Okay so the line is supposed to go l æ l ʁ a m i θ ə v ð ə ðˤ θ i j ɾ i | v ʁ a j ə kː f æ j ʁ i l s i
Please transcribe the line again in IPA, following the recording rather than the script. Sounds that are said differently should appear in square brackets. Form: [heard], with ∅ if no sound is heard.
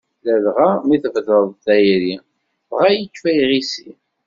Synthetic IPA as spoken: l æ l ʁ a m i θ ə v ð ə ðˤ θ [æ] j ɾ i | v ʁ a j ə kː f æ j ʁ i [∅] s i